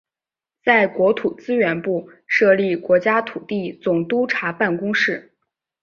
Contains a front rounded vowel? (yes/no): no